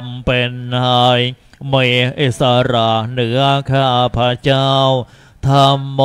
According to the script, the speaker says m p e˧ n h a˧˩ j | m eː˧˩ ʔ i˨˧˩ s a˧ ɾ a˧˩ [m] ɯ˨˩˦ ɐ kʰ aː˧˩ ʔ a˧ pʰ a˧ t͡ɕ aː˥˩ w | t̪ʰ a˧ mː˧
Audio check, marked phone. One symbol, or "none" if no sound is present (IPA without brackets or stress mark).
n